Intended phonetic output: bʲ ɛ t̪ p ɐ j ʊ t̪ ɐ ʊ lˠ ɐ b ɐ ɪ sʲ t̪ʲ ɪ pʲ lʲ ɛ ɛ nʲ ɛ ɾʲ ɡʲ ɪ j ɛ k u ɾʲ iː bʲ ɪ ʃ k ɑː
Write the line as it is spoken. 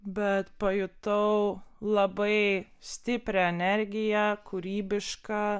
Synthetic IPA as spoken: bʲ ɛ t̪ p ɐ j ʊ t̪ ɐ ʊ lˠ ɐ b ɐ ɪ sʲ t̪ʲ ɪ pʲ ɾʲ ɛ ɛ nʲ ɛ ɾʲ ɡʲ ɪ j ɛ k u ɾʲ iː bʲ ɪ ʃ k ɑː